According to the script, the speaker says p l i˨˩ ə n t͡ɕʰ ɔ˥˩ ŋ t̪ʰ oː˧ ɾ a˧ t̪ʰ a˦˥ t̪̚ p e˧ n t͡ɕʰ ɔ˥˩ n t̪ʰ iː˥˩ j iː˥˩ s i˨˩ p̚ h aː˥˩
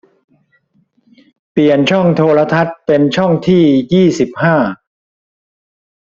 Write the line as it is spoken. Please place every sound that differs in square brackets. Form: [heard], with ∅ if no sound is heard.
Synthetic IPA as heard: p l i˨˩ ə n t͡ɕʰ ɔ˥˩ ŋ t̪ʰ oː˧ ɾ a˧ t̪ʰ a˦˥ t̪̚ p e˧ n t͡ɕʰ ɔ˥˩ [ŋ] t̪ʰ iː˥˩ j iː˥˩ s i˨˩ p̚ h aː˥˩